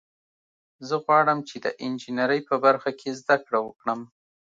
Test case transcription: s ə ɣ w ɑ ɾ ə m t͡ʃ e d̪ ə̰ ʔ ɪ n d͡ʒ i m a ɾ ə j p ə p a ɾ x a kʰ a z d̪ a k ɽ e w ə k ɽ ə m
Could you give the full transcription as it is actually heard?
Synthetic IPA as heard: z ə ɣ w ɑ ɽ ə m t͡ʃ e d̪ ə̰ ʔ ɪ n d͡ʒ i n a ɾ ə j p ə b a ɾ x a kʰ e z d̪ a k ɽ a w ə k ɽ ə m